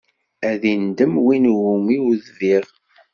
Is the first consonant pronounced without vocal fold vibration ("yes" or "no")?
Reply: no